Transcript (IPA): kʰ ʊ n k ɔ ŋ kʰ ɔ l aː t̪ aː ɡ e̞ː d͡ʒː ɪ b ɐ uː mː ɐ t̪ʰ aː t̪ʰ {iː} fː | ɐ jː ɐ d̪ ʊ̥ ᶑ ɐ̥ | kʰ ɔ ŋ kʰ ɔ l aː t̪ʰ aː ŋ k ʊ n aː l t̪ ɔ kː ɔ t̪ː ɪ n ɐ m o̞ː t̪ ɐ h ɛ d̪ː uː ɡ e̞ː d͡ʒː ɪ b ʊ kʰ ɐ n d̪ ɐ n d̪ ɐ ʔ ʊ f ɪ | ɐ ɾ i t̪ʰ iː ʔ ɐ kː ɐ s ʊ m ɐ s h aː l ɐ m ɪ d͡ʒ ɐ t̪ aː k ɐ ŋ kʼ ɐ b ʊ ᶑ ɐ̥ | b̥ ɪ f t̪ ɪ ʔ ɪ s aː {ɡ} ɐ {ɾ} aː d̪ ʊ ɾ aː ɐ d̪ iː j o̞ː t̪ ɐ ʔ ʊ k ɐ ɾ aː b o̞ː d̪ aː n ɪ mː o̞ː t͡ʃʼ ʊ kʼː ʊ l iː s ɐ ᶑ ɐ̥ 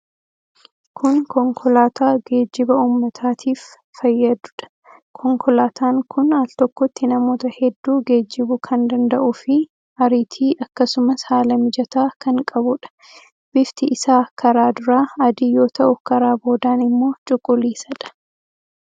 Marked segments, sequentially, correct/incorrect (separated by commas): correct, incorrect, correct